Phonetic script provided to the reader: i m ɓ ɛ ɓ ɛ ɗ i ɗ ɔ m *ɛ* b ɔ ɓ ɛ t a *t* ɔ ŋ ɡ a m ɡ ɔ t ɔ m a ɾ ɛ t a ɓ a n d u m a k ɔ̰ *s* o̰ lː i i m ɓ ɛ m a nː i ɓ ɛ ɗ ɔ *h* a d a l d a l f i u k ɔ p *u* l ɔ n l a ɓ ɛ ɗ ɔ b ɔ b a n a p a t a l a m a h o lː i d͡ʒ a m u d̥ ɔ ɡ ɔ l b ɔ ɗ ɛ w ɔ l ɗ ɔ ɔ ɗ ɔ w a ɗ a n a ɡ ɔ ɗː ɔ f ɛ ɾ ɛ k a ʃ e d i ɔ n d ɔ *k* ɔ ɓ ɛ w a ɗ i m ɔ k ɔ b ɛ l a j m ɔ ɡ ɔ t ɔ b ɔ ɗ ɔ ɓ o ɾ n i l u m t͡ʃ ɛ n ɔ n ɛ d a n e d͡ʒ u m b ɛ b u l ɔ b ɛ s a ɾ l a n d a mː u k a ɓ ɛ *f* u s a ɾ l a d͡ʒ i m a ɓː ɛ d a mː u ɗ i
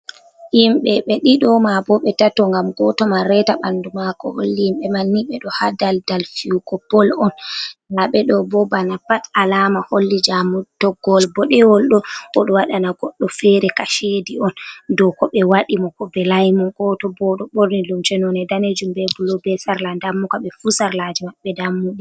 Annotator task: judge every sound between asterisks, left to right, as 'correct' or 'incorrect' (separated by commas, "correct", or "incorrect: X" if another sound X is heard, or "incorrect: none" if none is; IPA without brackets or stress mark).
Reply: incorrect: a, correct, incorrect: h, correct, incorrect: ɔ, correct, correct